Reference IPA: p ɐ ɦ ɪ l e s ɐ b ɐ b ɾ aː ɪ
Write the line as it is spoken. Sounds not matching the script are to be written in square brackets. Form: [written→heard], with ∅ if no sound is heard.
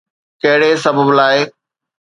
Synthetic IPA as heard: [p→k] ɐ ɦ ɪ [l→ɽ] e s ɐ b [ɐ→ə] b [ɾ→l] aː ɪ